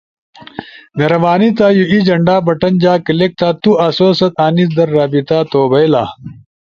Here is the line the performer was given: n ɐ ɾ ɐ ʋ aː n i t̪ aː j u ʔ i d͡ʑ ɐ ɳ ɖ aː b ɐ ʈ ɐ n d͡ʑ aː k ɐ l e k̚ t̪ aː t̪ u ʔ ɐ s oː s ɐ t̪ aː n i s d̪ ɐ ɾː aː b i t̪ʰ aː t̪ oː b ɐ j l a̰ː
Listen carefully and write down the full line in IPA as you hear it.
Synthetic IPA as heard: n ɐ ɾ ɐ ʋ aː n i t̪ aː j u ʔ i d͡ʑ ɐ ɳ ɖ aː b ɐ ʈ ɐ n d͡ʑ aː k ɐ l e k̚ t̪ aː t̪ u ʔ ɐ s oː s ɐ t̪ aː n i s d̪ ɐ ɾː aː b i t̪ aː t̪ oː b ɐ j l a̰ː